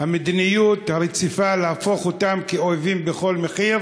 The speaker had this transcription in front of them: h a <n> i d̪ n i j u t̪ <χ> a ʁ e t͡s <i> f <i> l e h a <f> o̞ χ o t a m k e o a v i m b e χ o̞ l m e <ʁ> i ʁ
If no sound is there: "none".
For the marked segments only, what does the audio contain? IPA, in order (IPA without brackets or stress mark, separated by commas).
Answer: m, h, i, a, f, χ